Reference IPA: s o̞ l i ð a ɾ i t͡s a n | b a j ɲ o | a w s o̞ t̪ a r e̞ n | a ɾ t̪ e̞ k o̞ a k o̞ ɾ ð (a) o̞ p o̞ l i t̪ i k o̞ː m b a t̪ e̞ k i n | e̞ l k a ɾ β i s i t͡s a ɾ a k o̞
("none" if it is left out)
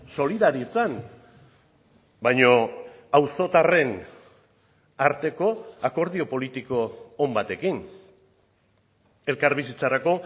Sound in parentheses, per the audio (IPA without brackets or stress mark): i